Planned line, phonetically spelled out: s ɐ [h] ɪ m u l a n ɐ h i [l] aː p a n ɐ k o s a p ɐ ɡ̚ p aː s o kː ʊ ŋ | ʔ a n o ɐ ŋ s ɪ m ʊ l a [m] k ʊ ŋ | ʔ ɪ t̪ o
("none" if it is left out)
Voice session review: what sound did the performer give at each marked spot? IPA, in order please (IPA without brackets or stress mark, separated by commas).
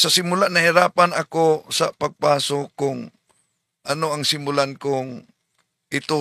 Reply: s, ɾ, n